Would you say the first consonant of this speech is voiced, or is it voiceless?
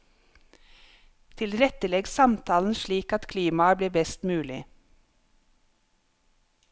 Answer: voiceless